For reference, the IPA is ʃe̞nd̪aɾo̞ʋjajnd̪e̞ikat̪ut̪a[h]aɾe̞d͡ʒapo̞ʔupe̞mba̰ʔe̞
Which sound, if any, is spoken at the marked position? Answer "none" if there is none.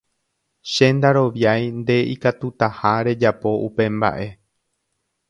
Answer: h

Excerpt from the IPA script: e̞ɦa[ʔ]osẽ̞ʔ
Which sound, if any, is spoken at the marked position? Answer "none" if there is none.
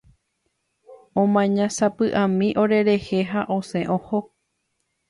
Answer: ʔ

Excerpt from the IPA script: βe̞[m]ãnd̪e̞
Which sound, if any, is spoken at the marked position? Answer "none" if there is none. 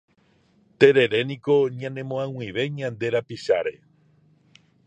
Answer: ɲ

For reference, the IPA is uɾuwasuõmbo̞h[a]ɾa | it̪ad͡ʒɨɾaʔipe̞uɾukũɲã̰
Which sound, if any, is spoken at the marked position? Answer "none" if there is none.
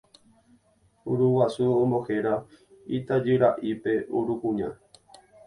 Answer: e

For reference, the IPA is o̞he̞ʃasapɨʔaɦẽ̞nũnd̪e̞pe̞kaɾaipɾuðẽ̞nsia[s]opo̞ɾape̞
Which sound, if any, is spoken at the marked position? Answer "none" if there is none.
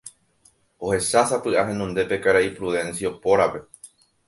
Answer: none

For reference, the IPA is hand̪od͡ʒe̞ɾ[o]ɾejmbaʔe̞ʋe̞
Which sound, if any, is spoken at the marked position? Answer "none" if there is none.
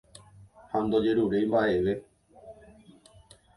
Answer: u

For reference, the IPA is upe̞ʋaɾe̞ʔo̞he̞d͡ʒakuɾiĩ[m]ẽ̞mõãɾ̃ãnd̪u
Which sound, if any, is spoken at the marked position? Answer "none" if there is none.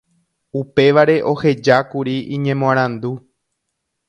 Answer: ɲ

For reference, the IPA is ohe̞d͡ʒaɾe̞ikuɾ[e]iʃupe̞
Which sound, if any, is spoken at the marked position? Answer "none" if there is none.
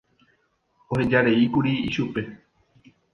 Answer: i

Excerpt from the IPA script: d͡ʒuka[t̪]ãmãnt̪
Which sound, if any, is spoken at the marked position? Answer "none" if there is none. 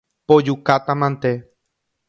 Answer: t̪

